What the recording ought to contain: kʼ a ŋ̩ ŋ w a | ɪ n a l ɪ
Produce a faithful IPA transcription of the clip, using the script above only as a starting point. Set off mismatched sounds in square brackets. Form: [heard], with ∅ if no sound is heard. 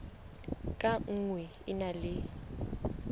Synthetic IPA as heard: kʼ a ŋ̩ ŋ w [ɛ] | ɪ n a l ɪ